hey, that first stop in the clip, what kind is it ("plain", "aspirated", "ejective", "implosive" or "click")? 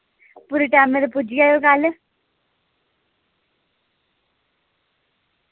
plain